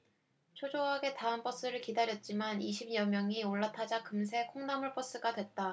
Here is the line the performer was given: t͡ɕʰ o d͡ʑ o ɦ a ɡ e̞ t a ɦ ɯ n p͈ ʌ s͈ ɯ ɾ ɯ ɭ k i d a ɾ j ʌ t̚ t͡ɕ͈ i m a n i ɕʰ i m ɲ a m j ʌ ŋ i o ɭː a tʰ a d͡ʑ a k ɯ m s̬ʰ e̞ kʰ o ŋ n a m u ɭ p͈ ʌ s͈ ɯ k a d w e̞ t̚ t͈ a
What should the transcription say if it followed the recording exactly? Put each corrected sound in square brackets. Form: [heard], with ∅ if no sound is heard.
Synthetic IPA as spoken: t͡ɕʰ o d͡ʑ o ɦ a ɡ e̞ t a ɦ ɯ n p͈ ʌ s͈ ɯ ɾ ɯ ɭ k i d a ɾ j ʌ t̚ t͡ɕ͈ i m a n i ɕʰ i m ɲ [ʌ] m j ʌ ŋ i o ɭː a tʰ a d͡ʑ a k ɯ m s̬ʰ e̞ kʰ o ŋ n a m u ɭ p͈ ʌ s͈ ɯ [ɡ] a d w e̞ t̚ t͈ a